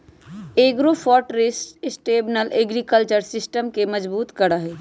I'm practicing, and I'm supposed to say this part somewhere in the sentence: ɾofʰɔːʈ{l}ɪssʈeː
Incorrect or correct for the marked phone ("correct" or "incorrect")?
incorrect